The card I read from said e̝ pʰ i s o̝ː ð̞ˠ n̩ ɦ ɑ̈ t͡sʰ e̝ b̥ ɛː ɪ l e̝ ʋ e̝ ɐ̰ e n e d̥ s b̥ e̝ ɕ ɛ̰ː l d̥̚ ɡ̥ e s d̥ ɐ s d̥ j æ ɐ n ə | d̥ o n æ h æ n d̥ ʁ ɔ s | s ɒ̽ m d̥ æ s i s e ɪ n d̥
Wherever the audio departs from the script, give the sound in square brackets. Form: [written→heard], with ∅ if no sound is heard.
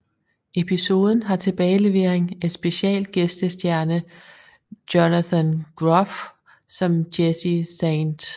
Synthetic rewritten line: e̝ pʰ i s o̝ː ð̞ˠ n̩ ɦ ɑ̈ t͡sʰ e̝ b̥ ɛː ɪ l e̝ ʋ e̝ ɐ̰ e [n→ŋ] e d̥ s b̥ e̝ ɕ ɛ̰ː l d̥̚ ɡ̥ e s d̥ [ɐ→ə] s d̥ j æ ɐ n ə | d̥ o n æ [h→θ] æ n [d̥→ɡ̥] ʁ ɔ [s→f] | s ɒ̽ m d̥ [æ→e] s i s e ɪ n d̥